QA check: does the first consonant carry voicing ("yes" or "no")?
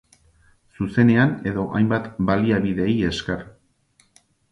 no